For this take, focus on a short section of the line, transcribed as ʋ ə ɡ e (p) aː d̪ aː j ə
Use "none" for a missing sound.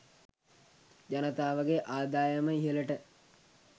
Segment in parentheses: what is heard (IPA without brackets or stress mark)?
ʔ